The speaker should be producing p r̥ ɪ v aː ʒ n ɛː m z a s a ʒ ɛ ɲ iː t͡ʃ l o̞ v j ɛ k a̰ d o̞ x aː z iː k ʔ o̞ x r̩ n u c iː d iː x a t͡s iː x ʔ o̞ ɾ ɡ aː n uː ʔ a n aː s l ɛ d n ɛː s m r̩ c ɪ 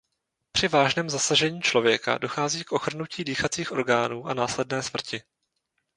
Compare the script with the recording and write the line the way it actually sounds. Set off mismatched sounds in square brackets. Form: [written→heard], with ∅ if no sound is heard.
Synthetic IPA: p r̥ ɪ v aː ʒ n ɛː m z a s a ʒ ɛ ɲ iː t͡ʃ l o̞ v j ɛ k a̰ d o̞ x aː z iː k ʔ o̞ x r̩ n u c iː d iː x a t͡s iː x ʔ o̞ ɾ ɡ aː n uː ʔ a n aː s l ɛ d n ɛː s m r̩ c ɪ